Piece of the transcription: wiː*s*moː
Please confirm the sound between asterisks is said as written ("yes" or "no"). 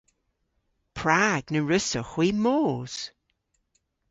no